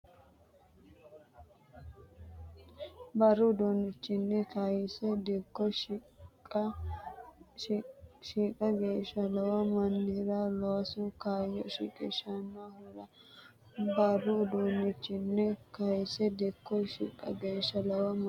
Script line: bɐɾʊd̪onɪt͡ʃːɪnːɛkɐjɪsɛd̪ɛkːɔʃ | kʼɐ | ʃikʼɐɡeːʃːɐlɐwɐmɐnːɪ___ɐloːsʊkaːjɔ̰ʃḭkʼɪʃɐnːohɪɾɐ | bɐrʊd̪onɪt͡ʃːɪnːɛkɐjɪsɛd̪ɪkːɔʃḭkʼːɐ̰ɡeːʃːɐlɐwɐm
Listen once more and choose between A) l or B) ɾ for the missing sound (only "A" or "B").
B